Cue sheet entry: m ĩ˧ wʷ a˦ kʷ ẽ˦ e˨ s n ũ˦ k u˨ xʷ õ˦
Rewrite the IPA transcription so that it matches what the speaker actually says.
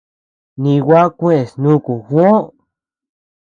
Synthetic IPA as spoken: n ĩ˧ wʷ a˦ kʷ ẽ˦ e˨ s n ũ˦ k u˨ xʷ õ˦